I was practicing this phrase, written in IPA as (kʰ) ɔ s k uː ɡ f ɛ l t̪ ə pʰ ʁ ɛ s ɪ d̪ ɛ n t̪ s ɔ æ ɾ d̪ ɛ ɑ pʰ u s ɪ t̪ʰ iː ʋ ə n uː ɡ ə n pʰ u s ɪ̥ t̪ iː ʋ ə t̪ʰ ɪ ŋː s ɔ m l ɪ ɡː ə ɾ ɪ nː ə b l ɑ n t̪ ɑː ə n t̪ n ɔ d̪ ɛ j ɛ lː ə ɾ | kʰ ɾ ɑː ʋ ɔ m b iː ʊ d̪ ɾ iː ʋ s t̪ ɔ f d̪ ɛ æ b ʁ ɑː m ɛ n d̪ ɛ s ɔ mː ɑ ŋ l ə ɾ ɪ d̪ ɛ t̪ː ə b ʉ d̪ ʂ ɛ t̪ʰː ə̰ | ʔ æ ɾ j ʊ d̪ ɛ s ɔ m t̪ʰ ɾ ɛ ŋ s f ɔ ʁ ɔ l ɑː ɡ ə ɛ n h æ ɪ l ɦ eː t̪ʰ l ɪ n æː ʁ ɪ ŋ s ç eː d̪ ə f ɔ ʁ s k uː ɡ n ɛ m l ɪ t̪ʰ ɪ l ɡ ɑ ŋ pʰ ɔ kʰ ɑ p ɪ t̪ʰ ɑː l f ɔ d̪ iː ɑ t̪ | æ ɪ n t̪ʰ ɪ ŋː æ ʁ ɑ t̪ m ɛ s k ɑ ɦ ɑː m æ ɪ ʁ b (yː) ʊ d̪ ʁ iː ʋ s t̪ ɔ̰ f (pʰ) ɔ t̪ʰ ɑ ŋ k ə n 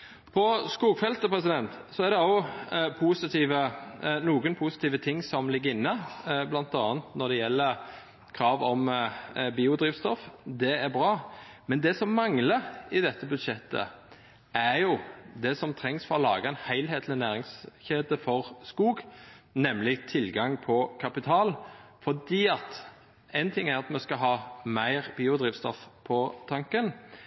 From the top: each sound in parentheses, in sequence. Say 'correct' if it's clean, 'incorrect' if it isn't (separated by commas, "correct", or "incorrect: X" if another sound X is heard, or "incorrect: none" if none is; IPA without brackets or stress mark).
incorrect: pʰ, incorrect: iː, correct